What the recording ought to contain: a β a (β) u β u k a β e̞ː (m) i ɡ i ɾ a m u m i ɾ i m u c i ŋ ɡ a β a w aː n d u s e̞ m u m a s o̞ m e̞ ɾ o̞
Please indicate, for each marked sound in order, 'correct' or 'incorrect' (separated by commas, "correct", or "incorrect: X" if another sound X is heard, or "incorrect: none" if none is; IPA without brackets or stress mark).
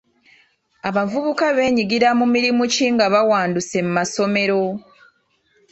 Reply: incorrect: v, incorrect: ɲ